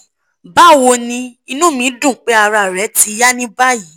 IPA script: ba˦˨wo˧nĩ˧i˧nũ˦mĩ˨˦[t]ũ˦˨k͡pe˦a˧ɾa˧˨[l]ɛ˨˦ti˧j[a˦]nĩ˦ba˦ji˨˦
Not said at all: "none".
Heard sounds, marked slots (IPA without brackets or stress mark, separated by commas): d, ɾ, a˦